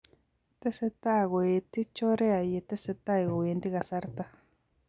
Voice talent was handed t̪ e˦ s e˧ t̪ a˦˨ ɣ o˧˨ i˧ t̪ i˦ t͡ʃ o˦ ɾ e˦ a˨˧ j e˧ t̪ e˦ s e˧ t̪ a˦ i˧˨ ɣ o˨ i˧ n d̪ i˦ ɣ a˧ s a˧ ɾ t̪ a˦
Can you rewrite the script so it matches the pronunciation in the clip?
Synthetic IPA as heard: t̪ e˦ s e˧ t̪ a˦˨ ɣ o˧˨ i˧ t̪ i˦ t͡ʃ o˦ ɾ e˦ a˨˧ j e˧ t̪ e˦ s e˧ t̪ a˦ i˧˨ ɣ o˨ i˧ n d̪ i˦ ɣ a˧ s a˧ ɾ t̪ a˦